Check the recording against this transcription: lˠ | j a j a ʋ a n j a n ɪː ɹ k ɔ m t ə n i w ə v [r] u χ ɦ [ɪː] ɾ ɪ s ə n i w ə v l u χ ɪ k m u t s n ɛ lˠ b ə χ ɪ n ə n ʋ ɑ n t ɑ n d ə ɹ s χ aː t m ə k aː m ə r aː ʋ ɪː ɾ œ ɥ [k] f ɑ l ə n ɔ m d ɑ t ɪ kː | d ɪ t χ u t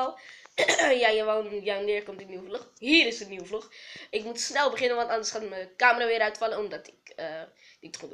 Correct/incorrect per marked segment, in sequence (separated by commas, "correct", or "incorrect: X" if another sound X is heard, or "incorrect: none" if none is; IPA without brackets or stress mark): incorrect: l, incorrect: iː, incorrect: t